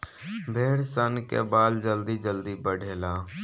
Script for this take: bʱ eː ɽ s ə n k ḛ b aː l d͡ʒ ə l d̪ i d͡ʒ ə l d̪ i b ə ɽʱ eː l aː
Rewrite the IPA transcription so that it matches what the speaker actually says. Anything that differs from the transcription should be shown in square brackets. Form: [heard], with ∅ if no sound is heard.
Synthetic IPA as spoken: bʱ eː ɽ s ə n k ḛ b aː l d͡ʒ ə l d̪ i d͡ʒ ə l d̪ i b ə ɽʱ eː l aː